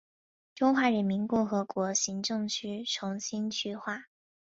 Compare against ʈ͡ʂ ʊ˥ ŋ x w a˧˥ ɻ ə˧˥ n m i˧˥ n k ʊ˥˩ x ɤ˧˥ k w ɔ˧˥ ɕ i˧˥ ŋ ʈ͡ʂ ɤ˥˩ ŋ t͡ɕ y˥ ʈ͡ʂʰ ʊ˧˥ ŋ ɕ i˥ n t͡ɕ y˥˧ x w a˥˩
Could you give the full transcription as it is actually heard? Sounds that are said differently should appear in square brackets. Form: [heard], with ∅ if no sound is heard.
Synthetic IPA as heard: ʈ͡ʂ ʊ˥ ŋ x w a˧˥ ɻ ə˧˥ n m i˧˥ n k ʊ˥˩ x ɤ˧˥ k w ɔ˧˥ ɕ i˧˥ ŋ ʈ͡ʂ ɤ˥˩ ŋ [t͡ɕʰ] y˥ ʈ͡ʂʰ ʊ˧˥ ŋ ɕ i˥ n [t͡ɕʰ] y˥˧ x w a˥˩